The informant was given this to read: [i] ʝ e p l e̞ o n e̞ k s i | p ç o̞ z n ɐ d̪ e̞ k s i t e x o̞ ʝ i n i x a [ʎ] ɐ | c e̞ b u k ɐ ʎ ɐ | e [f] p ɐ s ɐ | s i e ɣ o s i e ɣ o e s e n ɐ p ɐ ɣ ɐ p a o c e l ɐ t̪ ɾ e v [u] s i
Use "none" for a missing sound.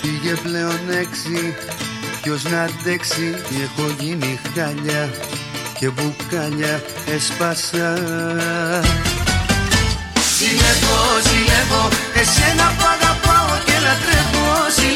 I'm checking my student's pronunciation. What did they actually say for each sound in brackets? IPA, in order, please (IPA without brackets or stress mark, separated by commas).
i, ʎ, s, o